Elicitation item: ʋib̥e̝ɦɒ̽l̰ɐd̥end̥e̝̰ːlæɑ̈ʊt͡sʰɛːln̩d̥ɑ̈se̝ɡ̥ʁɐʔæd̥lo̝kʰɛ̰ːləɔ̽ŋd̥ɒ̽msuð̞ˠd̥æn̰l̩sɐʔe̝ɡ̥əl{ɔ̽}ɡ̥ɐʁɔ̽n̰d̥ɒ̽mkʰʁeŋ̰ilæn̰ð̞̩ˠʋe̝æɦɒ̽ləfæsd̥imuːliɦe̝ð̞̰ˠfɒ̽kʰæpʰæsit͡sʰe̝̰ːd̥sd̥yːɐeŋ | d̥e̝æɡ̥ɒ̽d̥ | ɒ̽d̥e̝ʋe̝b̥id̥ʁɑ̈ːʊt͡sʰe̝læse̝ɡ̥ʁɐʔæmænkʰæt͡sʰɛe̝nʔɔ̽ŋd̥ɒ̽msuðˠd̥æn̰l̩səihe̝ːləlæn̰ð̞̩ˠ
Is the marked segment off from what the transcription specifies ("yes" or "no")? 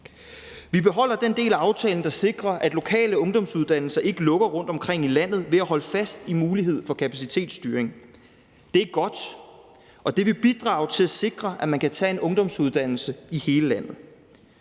no